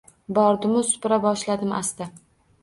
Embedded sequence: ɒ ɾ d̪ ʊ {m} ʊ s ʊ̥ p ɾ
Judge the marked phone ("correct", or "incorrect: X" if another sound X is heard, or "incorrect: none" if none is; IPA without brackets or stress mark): correct